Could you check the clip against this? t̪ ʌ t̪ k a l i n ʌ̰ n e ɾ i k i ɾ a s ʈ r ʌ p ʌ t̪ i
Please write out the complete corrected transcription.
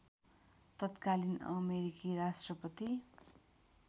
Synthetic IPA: t̪ ʌ t̪ k a l i n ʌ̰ m e ɾ i k i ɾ a s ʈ r ʌ p ʌ t̪ i